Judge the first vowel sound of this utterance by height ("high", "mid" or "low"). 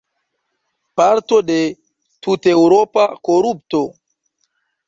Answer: low